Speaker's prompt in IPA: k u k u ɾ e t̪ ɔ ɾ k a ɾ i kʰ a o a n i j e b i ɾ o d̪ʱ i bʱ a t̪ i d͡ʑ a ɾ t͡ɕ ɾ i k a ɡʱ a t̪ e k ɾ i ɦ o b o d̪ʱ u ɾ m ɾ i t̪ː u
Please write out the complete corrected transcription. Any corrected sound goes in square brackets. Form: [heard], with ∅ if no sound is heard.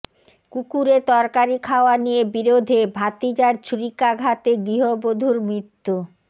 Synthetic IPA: k u k u ɾ e t̪ ɔ ɾ k a ɾ i kʰ a o a n i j e b i ɾ o d̪ʱ [e] bʱ a t̪ i d͡ʑ a ɾ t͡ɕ ɾ i k a ɡʱ a t̪ e [ɡ] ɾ i ɦ o b o d̪ʱ u ɾ m ɾ i t̪ː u

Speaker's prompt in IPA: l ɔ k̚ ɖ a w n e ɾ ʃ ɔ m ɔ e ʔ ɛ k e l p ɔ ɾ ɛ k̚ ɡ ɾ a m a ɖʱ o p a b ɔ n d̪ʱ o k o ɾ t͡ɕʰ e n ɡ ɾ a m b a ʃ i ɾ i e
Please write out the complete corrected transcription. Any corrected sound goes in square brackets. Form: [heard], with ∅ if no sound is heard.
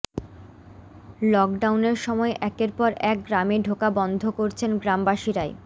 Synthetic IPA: l ɔ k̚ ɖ a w n e ɾ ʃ ɔ m ɔ e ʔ ɛ k e [ɾ] p ɔ ɾ ɛ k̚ ɡ ɾ a m [e] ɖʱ o [k] a b ɔ n d̪ʱ o k o ɾ t͡ɕʰ e n ɡ ɾ a m b a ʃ i ɾ [a] e

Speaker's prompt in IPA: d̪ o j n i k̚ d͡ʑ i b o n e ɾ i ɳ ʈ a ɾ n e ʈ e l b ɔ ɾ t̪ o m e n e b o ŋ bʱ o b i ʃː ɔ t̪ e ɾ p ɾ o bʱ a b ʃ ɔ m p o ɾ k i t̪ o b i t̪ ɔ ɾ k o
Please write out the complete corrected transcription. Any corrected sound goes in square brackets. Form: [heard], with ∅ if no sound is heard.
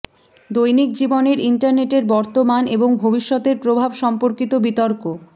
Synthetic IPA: d̪ o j n i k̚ d͡ʑ i b o n e ɾ i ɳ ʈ a ɾ n e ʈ e [ɾ] b ɔ ɾ t̪ o m [a] n e b o ŋ bʱ o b i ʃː ɔ t̪ e ɾ p ɾ o bʱ a b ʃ ɔ m p o ɾ k i t̪ o b i t̪ ɔ ɾ k o

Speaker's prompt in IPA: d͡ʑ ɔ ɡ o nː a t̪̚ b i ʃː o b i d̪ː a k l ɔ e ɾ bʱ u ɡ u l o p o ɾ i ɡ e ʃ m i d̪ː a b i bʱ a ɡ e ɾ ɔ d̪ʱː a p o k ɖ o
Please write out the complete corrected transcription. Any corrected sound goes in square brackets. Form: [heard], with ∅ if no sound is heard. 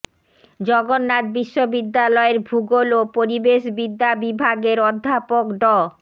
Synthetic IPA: d͡ʑ ɔ ɡ o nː a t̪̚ b i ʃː o b i d̪ː a [∅] l ɔ e ɾ bʱ u ɡ [o] l o p o ɾ i [b] e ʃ [b] i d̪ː a b i bʱ a ɡ e ɾ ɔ d̪ʱː a p o k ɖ [ɔ]

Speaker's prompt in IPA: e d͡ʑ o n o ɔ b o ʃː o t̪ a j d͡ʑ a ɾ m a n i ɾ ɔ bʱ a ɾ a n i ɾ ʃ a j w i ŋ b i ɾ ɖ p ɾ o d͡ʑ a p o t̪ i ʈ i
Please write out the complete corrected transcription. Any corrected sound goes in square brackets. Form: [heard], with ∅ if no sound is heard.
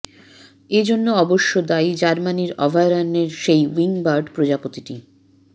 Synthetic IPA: e d͡ʑ o [nː] o ɔ b o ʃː o [d̪] a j d͡ʑ a ɾ m a n i ɾ ɔ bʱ a ɾ a n [e] ɾ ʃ [e] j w i ŋ b [a] ɾ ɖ p ɾ o d͡ʑ a p o t̪ i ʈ i

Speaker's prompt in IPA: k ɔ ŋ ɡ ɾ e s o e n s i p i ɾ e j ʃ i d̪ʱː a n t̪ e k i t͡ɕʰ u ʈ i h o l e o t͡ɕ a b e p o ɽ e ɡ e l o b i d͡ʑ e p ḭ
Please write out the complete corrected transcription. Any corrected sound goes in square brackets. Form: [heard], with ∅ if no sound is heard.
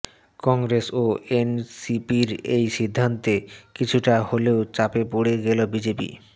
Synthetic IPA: k ɔ ŋ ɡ ɾ e s o e n s i p i ɾ e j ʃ i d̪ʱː a n t̪ e k i t͡ɕʰ u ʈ [a] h o l e o t͡ɕ a [p] e p o ɽ e ɡ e l o b i d͡ʑ e p ḭ

